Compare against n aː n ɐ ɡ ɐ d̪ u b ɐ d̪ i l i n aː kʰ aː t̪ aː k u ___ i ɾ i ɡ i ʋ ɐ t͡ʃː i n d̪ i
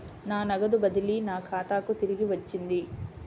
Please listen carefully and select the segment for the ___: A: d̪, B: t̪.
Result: B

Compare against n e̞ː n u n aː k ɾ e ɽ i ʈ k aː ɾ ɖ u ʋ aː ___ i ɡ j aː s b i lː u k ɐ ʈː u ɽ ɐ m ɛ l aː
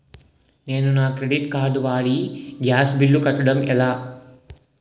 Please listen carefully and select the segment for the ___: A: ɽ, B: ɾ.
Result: A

